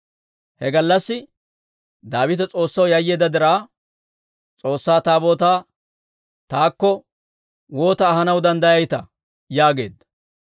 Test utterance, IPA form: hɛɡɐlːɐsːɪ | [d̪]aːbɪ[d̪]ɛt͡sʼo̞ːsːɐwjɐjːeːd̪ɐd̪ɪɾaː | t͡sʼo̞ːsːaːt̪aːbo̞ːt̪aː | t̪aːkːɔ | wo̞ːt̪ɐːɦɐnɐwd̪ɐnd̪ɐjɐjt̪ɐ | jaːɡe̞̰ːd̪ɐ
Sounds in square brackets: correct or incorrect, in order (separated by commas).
correct, incorrect